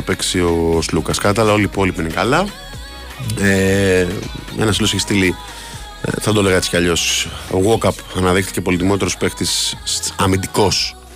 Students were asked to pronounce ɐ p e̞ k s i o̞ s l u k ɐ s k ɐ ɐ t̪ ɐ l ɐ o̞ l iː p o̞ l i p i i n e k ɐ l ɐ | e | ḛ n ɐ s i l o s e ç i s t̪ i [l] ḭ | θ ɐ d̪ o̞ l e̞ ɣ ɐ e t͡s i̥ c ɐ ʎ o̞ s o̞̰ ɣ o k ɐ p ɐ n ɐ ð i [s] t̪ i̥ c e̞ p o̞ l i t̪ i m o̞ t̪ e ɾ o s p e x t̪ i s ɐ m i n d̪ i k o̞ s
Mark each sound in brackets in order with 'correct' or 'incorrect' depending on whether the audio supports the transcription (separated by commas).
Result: correct, incorrect